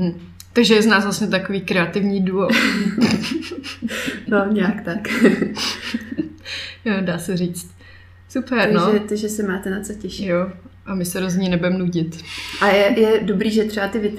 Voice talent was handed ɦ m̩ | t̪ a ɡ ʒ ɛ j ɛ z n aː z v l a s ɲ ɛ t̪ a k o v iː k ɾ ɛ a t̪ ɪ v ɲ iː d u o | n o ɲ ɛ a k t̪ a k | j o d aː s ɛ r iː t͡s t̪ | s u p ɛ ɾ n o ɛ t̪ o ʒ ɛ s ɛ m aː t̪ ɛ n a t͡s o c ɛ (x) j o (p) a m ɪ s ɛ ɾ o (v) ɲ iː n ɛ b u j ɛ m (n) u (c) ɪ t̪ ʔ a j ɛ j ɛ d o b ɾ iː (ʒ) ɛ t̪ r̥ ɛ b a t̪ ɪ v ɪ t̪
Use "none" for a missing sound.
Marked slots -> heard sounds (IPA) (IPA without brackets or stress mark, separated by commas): ʃ, ʔ, z, n, ɟ, ʒ